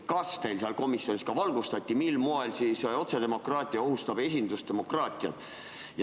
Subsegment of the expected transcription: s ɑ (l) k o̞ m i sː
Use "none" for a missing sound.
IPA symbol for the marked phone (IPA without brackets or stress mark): l